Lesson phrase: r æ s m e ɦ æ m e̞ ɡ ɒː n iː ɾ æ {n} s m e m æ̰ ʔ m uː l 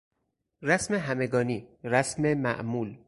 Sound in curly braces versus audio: incorrect: none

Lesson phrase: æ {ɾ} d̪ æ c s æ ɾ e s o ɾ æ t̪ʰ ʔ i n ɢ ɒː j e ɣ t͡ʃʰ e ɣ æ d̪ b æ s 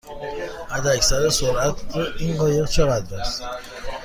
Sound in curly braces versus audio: incorrect: none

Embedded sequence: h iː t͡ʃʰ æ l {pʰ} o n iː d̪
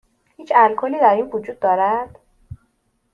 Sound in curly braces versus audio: incorrect: kʰ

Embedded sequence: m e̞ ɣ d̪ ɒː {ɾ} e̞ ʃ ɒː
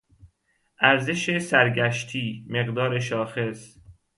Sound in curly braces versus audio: correct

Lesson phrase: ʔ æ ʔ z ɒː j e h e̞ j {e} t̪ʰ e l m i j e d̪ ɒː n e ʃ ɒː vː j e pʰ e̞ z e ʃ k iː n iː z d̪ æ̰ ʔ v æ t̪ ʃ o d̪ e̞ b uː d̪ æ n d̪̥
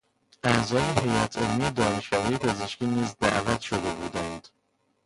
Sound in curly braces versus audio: incorrect: æ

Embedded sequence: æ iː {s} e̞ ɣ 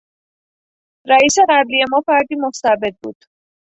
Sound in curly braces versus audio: correct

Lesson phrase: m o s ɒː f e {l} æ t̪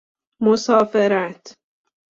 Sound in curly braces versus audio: incorrect: ɾ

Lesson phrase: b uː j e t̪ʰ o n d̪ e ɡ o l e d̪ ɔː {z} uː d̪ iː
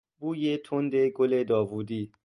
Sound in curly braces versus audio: incorrect: v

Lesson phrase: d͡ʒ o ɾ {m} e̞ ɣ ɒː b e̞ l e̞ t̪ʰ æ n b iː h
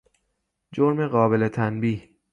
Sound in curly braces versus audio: correct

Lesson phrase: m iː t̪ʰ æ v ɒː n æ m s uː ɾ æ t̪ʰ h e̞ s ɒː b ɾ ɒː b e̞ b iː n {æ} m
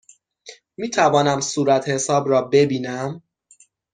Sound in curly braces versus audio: correct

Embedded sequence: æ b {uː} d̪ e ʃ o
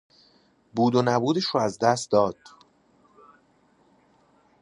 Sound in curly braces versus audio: correct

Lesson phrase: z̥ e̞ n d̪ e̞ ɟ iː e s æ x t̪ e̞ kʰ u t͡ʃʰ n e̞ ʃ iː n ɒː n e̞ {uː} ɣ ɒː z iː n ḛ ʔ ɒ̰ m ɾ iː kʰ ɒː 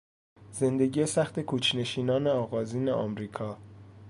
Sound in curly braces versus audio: incorrect: ɒː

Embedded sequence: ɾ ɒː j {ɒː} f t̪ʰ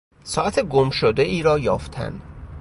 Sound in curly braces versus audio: correct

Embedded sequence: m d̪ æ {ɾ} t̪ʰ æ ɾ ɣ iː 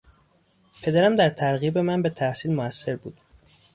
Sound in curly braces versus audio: correct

